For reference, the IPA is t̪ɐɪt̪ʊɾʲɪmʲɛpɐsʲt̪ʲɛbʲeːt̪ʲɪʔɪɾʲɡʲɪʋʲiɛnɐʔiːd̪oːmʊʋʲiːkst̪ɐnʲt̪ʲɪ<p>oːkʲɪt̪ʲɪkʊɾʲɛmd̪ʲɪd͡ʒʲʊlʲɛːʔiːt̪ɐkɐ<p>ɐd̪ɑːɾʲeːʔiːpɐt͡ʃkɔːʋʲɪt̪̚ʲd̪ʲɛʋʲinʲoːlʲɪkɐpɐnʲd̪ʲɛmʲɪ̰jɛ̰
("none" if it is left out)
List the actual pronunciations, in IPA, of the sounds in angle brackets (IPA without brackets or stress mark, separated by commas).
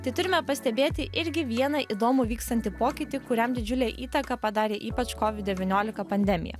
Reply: p, p